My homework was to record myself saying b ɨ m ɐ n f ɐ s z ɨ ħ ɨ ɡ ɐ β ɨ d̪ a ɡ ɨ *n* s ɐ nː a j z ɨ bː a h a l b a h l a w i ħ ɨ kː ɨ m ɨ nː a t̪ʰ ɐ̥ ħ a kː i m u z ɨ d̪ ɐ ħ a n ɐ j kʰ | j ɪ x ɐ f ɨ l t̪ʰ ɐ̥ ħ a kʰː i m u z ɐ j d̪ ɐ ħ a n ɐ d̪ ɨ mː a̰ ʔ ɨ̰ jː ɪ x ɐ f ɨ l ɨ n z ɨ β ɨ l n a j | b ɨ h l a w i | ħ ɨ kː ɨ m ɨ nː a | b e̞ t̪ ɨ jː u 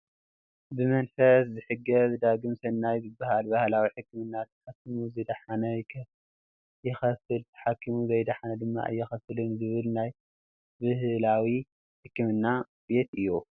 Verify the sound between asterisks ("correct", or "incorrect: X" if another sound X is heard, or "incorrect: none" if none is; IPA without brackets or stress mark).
incorrect: m